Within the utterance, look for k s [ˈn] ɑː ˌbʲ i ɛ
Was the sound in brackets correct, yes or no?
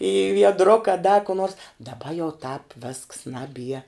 yes